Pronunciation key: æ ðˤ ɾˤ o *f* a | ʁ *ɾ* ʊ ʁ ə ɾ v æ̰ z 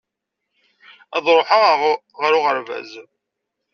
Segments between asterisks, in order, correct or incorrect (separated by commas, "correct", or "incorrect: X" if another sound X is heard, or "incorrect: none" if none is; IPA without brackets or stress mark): incorrect: ħ, correct